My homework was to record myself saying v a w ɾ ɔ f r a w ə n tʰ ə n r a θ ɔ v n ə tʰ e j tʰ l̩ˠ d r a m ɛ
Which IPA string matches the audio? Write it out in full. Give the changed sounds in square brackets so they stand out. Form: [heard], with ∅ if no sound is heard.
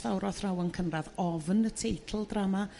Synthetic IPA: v a w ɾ ɔ [θ] r a w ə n [kʰ] ə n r a [ð] ɔ v n ə tʰ e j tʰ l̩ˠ d r a m [a]